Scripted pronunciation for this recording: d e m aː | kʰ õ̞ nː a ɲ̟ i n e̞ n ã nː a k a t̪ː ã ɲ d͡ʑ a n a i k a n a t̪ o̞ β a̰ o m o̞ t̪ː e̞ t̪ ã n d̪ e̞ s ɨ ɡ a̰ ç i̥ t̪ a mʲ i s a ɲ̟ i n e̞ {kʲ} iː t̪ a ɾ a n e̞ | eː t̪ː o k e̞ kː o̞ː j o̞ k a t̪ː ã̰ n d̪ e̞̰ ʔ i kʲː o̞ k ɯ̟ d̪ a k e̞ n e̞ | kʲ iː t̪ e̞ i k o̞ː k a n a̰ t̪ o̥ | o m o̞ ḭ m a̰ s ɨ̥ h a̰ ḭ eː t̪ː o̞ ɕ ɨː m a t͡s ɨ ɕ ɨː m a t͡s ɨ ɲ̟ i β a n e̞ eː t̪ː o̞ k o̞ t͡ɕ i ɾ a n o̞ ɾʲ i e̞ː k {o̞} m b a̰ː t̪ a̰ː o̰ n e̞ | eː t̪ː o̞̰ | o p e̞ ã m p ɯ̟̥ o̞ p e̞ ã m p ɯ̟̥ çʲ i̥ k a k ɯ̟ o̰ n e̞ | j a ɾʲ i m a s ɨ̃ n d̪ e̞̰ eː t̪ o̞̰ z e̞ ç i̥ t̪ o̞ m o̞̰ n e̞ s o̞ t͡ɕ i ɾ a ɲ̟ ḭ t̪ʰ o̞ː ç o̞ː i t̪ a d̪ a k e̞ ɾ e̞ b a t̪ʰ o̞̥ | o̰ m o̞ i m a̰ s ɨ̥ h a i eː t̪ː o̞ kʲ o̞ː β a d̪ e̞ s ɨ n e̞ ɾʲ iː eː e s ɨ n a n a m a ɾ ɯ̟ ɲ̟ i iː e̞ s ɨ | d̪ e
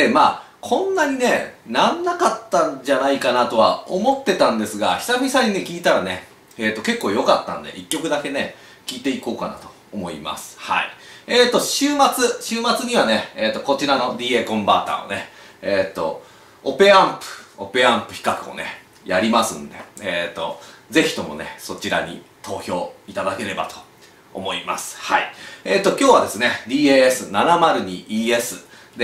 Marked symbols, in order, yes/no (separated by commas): yes, no